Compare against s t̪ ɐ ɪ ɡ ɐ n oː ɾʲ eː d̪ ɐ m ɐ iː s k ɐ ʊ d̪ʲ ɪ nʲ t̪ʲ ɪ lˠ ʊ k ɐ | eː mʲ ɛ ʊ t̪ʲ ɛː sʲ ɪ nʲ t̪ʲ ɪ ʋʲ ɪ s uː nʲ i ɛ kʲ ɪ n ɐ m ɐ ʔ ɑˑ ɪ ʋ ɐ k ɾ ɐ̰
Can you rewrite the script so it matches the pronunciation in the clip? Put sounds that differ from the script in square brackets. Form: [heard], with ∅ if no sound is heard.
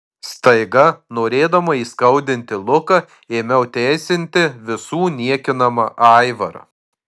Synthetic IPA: s t̪ ɐ ɪ ɡ ɐ n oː ɾʲ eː d̪ ɐ m ɐ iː s k ɐ ʊ d̪ʲ ɪ nʲ t̪ʲ ɪ lˠ ʊ k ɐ | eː mʲ ɛ ʊ t̪ʲ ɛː sʲ ɪ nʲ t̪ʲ ɪ ʋʲ ɪ s uː nʲ i ɛ kʲ ɪ n ɐ m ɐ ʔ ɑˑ ɪ ʋ ɐ [∅] ɾ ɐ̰